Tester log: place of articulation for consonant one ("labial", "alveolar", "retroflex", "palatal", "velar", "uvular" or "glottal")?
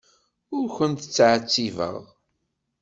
alveolar